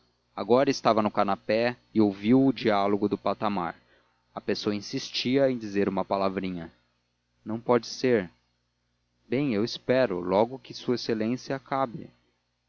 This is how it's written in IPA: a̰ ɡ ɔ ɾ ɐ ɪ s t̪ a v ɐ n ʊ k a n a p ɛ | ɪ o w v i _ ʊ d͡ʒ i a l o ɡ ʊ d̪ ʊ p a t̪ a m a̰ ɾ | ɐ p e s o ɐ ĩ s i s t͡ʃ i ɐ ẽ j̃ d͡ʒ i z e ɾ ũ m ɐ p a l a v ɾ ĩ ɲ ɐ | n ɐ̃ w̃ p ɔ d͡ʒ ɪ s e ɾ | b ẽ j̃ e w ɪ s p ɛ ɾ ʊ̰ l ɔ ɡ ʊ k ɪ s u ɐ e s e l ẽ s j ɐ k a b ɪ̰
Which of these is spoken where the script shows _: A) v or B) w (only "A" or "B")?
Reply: B